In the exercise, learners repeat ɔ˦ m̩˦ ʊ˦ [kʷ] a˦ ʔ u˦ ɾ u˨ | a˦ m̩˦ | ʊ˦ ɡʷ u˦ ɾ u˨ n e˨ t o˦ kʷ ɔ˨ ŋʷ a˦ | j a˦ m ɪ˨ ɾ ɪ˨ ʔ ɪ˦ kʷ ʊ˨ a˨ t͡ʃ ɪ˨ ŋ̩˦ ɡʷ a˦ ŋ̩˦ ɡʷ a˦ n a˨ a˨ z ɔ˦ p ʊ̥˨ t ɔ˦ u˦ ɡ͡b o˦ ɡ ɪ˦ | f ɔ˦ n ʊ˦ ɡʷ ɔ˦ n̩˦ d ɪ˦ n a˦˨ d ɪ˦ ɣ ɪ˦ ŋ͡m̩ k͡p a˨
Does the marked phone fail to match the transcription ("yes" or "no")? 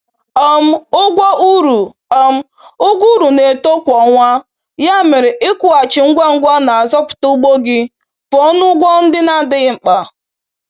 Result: yes